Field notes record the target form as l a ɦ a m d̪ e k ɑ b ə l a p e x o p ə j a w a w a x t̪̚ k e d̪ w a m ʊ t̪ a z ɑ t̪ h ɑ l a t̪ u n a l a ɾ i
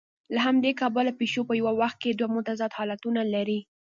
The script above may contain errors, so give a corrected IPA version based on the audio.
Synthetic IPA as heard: l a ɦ a m d̪ e k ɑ b ə l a p e ʃ o p ə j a w a w a x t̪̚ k e d̪ w a m ʊ t̪ a z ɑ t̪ h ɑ l a t̪ u n a l a ɾ i